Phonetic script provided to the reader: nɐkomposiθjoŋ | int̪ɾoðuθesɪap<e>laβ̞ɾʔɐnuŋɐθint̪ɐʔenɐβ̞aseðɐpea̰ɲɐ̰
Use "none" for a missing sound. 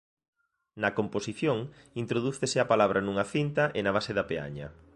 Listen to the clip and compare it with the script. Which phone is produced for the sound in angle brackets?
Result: a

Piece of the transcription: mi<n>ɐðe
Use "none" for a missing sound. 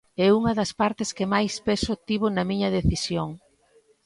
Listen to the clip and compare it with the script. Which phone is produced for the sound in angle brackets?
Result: ɲ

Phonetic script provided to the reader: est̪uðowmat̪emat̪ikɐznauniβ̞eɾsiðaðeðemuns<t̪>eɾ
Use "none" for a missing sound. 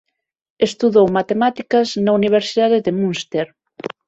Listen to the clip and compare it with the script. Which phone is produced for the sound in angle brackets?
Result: t̪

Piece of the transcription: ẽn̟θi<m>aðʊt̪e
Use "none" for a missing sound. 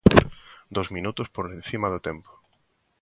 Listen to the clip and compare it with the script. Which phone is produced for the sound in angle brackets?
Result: m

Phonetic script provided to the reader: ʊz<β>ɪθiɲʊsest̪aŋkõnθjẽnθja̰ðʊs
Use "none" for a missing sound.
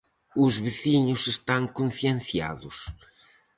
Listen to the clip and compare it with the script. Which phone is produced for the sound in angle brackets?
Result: β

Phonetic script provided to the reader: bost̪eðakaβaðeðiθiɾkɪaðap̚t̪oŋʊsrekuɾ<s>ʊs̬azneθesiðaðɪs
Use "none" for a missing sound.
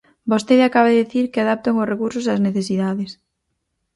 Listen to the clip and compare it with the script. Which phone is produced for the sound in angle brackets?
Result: s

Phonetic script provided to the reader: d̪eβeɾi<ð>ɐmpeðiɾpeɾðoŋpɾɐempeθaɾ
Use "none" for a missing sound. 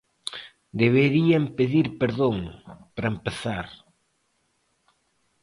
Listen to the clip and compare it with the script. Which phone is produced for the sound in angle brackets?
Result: none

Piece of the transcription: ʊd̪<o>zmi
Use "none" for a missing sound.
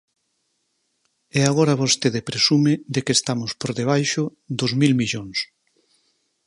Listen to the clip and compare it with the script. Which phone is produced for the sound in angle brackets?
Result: o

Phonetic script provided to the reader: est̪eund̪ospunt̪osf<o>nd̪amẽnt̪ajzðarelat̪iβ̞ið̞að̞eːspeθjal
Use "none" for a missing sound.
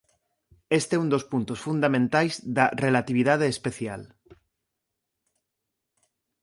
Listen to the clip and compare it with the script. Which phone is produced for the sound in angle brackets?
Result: u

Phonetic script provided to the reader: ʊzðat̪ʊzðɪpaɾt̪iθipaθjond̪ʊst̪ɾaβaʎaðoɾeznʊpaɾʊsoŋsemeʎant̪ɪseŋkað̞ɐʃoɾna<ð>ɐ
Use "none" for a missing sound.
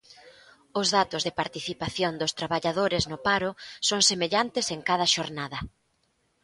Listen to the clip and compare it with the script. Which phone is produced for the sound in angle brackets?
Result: ð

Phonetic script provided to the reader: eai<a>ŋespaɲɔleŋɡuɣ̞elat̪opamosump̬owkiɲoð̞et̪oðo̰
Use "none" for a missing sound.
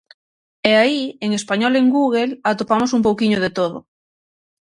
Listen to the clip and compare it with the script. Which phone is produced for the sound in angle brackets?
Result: e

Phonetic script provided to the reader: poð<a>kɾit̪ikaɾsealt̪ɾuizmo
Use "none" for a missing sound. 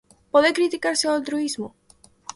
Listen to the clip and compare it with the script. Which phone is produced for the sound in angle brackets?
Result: e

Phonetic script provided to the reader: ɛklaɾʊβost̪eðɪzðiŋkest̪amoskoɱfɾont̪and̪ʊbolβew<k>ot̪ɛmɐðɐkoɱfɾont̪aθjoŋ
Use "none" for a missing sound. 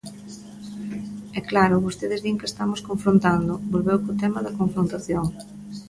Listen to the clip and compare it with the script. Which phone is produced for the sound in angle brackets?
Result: k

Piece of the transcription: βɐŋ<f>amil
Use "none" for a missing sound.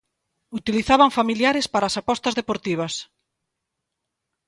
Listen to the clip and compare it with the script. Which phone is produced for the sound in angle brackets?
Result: f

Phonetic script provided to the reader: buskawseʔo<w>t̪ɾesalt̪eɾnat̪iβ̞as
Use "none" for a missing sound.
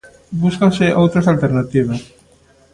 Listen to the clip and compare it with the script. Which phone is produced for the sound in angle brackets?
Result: w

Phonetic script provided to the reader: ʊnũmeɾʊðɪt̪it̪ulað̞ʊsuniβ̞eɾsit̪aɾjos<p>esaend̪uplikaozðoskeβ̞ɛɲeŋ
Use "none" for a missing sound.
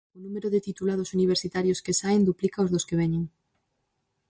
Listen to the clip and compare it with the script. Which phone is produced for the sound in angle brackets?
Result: k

